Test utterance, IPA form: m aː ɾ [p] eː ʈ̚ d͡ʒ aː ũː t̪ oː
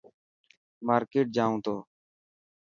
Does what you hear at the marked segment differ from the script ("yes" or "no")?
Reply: yes